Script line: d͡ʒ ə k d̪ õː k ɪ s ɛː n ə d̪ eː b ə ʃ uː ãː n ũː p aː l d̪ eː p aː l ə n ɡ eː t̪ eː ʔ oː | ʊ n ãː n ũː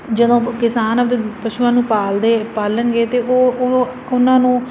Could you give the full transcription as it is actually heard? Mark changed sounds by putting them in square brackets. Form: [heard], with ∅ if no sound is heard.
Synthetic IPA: d͡ʒ ə [∅] d̪ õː k ɪ s [aː] n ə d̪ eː [p] ə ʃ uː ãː n ũː p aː l d̪ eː p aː l ə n ɡ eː t̪ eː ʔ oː | ʊ n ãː n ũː